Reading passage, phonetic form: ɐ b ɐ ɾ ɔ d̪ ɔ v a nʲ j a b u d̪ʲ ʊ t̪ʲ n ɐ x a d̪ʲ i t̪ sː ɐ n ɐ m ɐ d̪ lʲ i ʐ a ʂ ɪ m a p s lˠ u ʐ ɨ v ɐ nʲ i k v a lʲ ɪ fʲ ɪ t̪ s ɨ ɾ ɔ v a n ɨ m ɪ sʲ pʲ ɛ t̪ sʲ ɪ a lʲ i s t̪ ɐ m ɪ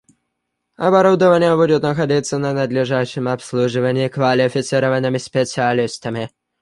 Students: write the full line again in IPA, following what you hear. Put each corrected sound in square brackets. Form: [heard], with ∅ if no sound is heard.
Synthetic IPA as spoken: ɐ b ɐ ɾ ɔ d̪ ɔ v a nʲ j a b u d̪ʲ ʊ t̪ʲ n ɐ x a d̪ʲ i t̪ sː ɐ n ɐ [n] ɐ d̪ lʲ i ʐ a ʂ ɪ m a p s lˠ u ʐ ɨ v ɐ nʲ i k v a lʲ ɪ fʲ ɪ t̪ s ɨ ɾ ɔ v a n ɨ m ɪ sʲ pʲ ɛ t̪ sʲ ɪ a lʲ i s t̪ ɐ m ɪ

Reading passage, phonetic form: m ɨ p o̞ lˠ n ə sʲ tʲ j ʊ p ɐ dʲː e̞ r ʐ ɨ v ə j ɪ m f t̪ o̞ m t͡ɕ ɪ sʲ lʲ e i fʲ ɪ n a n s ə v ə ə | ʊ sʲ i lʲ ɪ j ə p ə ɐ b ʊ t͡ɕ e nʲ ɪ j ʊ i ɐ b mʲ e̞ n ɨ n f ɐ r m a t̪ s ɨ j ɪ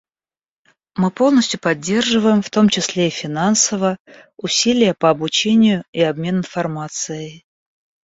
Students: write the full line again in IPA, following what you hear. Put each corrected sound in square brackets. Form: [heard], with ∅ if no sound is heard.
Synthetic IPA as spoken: m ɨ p o̞ lˠ n ə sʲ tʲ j ʊ p ɐ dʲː e̞ r ʐ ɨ v ə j ɪ m f t̪ o̞ m t͡ɕ ɪ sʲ lʲ e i fʲ ɪ n a n s ə v ə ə | ʊ sʲ i lʲ ɪ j ə p ə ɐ b ʊ t͡ɕ e nʲ ɪ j ʊ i ɐ b mʲ e̞ n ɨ n f ɐ r m a t̪ s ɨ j ɪ

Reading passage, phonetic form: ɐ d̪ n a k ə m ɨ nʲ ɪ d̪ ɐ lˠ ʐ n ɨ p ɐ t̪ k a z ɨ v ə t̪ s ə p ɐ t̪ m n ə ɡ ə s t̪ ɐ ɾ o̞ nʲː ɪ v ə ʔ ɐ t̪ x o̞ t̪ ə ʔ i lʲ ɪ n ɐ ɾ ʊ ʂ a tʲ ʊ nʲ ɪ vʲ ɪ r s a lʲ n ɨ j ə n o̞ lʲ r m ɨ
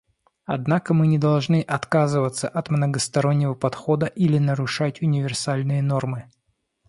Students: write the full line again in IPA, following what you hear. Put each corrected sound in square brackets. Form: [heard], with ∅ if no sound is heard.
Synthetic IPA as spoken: ɐ d̪ n a k ə m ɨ nʲ ɪ d̪ ɐ lˠ ʐ n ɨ [ʔ] ɐ t̪ k a z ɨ v ə t̪ s ə [ʔ] ɐ t̪ m n ə ɡ ə s t̪ ɐ ɾ o̞ nʲː ɪ v ə [p] ɐ t̪ x o̞ [d̪] ə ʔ i lʲ ɪ n [ə] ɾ ʊ ʂ a tʲ ʊ nʲ ɪ vʲ ɪ r s a lʲ n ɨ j ə n o̞ [∅] r m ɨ

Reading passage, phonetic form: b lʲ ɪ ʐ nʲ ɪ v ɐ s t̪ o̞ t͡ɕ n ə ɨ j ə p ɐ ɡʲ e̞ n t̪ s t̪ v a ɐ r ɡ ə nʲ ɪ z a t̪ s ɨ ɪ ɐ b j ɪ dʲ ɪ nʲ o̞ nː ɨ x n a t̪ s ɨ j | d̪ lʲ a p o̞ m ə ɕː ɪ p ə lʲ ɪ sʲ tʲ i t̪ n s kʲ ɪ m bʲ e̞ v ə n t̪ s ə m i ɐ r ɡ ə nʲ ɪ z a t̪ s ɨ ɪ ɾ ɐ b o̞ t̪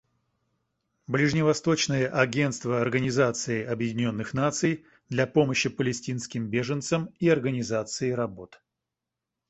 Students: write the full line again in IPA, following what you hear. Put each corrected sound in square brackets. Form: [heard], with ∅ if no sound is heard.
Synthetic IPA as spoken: b lʲ ɪ ʐ nʲ ɪ v ɐ s t̪ o̞ t͡ɕ n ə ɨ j ə [ʔ] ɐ ɡʲ e̞ n t̪ s t̪ v [ə] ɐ r ɡ ə nʲ ɪ z a t̪ s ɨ ɪ ɐ b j ɪ dʲ ɪ nʲ o̞ nː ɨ x n a t̪ s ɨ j | d̪ lʲ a p o̞ m ə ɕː ɪ p ə lʲ ɪ sʲ tʲ i [∅] n s kʲ ɪ m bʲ e̞ [ʐ] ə n t̪ s ə m i ɐ r ɡ ə nʲ ɪ z a t̪ s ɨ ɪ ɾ ɐ b o̞ t̪

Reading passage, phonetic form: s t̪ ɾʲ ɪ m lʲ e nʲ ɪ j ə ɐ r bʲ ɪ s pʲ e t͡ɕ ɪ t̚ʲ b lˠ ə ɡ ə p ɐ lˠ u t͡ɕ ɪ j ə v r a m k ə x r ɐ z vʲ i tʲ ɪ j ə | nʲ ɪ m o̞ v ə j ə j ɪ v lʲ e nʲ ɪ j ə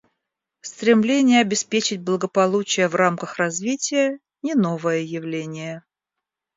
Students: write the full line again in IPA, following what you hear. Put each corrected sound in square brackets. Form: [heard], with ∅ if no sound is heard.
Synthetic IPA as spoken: s t̪ ɾʲ ɪ m lʲ e nʲ ɪ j ə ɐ [∅] bʲ ɪ s pʲ e t͡ɕ ɪ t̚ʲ b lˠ ə ɡ ə p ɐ lˠ u t͡ɕ ɪ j ə v r a m k ə x r ɐ z vʲ i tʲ ɪ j ə | nʲ ɪ [n] o̞ v ə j ə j ɪ v lʲ e nʲ ɪ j ə

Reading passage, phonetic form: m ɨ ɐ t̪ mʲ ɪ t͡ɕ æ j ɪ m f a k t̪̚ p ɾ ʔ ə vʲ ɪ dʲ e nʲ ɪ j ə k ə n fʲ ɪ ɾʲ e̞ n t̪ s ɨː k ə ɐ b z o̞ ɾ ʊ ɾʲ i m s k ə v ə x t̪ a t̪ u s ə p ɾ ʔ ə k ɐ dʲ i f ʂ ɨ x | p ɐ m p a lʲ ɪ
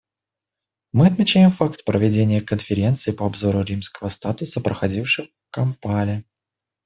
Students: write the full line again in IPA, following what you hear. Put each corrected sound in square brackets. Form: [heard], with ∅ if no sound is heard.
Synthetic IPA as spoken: m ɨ ɐ t̪ mʲ ɪ t͡ɕ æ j ɪ m f a k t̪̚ p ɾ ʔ ə vʲ ɪ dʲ e nʲ ɪ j ə k ə n fʲ ɪ ɾʲ e̞ n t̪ s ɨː [p] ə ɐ b z o̞ ɾ ʊ ɾʲ i m s k ə v ə [s] t̪ a t̪ [ʊ] s ə p ɾ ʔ ə [x] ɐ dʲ i f ʂ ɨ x | [k] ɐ m p a lʲ ɪ

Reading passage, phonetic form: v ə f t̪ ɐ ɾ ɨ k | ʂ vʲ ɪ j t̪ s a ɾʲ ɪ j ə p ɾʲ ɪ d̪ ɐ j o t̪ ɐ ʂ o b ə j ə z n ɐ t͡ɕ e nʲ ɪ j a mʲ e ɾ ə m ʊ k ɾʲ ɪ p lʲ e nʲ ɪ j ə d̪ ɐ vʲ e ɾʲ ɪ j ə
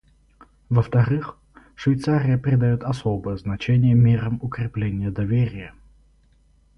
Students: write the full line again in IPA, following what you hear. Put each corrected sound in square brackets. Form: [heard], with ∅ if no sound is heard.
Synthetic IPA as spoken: v ə f t̪ ɐ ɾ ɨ [x] | ʂ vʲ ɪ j t̪ s a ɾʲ ɪ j ə p ɾʲ ɪ d̪ ɐ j o t̪ ɐ [s] o b ə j ə z n ɐ t͡ɕ e nʲ ɪ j [ə] mʲ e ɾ ə m ʊ k ɾʲ ɪ p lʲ e nʲ ɪ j ə d̪ ɐ vʲ e ɾʲ ɪ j ə

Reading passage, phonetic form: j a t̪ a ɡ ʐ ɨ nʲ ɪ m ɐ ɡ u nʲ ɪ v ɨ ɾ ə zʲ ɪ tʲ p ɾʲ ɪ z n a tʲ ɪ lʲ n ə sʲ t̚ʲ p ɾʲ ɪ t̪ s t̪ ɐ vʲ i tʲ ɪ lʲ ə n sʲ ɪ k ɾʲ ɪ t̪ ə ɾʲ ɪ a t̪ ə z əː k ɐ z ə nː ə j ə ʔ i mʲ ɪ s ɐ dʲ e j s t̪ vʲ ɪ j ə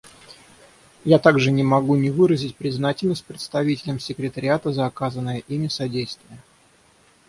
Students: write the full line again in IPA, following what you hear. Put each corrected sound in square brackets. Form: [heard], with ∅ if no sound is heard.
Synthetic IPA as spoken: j a t̪ a ɡ ʐ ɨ nʲ ɪ m ɐ ɡ u nʲ ɪ v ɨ ɾ ə zʲ ɪ tʲ p ɾʲ ɪ z n a tʲ ɪ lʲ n ə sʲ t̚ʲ p ɾʲ ɪ t̪ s t̪ ɐ vʲ i tʲ ɪ lʲ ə [m] sʲ ɪ k ɾʲ ɪ t̪ ə ɾʲ ɪ a t̪ ə z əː k [a] z ə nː ə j ə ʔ i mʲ ɪ s ɐ dʲ e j s t̪ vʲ ɪ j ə

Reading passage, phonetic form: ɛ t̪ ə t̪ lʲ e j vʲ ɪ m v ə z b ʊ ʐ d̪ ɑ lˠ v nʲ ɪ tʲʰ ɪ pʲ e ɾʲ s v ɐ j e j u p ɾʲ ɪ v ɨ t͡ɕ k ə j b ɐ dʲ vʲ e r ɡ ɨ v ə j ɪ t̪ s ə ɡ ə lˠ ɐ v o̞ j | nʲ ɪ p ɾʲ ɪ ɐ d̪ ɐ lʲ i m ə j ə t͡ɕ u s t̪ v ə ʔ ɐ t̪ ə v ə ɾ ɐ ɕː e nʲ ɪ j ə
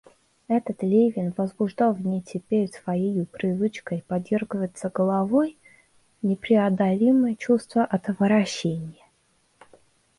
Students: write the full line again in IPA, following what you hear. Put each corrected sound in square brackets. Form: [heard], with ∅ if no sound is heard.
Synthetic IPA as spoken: ɛ t̪ ə t̪ lʲ e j vʲ ɪ [n] v ə z b ʊ ʐ d̪ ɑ lˠ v nʲ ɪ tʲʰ ɪ pʲ e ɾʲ s v ɐ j e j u p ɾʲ ɪ v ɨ t͡ɕ k ə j [p] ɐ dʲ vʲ e r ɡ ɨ v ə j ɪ t̪ s ə ɡ ə lˠ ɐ v o̞ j | nʲ ɪ p ɾʲ ɪ ɐ d̪ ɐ lʲ i m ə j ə t͡ɕ u s t̪ v ə ʔ ɐ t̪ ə v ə ɾ ɐ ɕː e nʲ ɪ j ə

